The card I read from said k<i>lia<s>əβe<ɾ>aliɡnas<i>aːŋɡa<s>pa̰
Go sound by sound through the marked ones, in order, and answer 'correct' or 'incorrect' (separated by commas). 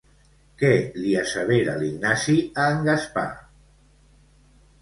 incorrect, correct, correct, correct, correct